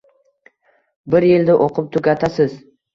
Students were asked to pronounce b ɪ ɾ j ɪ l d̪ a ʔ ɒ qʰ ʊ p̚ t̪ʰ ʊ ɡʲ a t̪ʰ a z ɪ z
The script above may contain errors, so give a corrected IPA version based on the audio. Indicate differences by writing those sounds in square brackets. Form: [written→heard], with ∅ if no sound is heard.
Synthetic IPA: b ɪ ɾ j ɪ l d̪ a ʔ [ɒ→o] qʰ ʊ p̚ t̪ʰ ʊ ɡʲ a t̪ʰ a [z→s] ɪ z